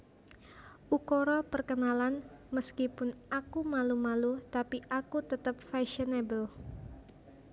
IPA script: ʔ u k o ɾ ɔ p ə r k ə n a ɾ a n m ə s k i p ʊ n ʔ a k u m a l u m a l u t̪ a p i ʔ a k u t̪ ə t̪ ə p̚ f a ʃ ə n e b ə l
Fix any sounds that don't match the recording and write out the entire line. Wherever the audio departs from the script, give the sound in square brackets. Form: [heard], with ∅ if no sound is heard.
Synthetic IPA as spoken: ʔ u k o ɾ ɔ p ə r k ə n a [l] a n m ə s k i p ʊ n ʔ a k u m a l u m a l u t̪ a p i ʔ a k u t̪ ə t̪ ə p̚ f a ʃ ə n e b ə l